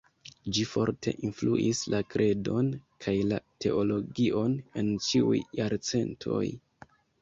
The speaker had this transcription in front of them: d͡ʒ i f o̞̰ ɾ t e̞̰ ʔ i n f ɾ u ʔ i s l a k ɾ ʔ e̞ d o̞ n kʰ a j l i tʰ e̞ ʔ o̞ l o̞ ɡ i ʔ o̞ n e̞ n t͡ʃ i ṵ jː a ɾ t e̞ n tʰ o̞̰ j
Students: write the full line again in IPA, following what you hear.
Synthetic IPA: d͡ʒ i f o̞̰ ɾ t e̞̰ ʔ i n f l u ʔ i s l a k ɾ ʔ e̞ d o̞ n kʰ a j l a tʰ e̞ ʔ o̞ l o̞ ɡ i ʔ o̞ n e̞ n t͡ʃ i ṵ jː a ɾ t͡s e̞ n tʰ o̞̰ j